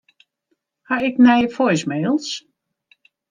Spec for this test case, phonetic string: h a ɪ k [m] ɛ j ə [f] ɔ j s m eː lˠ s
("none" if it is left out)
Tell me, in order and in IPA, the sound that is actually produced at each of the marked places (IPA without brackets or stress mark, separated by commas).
n, f